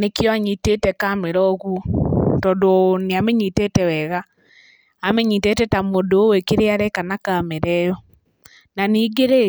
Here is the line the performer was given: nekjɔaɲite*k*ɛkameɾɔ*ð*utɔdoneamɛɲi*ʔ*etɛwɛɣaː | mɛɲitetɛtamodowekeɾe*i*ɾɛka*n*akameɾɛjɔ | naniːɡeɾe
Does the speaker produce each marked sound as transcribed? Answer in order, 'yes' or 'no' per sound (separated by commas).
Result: no, no, no, no, yes